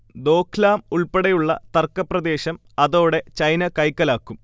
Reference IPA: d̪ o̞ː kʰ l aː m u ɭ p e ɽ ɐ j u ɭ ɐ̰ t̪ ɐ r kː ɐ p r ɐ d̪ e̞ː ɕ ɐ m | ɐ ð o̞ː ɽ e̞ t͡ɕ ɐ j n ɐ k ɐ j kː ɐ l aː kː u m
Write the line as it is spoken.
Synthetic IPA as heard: d̪ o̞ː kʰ l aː m u ɭ p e ɽ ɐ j u ɭː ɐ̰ t̪ ɐ r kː ɐ p r ɐ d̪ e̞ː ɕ ɐ m | ɐ ð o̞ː ɽ e̞ t͡ɕ ɐ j n ɐ k ɐ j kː ɐ l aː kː u m